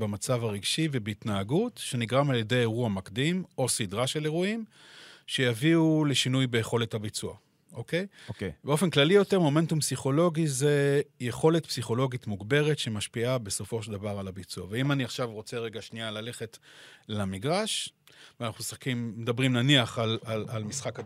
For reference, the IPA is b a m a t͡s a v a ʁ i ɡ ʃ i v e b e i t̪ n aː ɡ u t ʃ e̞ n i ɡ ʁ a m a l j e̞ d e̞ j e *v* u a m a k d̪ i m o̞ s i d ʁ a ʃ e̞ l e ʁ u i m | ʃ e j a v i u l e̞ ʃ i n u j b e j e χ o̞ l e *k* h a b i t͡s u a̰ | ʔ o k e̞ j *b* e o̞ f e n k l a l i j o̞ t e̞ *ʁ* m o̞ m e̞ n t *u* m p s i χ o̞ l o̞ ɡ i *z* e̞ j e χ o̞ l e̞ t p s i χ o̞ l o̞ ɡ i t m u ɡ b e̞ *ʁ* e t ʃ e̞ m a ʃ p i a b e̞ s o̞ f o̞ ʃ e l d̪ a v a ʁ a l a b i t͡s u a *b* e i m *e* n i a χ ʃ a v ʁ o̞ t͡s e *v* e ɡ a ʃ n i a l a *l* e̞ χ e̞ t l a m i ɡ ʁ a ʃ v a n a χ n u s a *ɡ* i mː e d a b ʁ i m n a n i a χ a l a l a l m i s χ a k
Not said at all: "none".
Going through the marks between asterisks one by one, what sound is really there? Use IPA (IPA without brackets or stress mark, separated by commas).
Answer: ʁ, t, b, ʁ, u, z, ʁ, v, a, ʁ, l, k